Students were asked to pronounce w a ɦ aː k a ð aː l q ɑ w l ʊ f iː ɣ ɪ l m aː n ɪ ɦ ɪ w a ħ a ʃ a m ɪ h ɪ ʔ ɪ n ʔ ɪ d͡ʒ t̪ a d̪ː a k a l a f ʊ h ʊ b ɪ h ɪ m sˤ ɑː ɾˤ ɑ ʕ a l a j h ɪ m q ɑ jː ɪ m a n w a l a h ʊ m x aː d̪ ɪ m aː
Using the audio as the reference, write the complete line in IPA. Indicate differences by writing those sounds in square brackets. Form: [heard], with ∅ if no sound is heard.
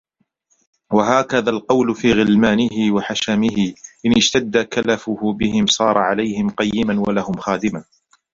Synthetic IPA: w a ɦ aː k a ð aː l q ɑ w l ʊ f iː ɣ ɪ l m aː n ɪ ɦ ɪ w a ħ a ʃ a m ɪ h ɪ ʔ ɪ n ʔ ɪ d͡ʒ t̪ a d̪ː a k a l a f ʊ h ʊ b ɪ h ɪ m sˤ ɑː ɾˤ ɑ ʕ a l a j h ɪ m q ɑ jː ɪ m a n w a l a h ʊ m x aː d̪ ɪ m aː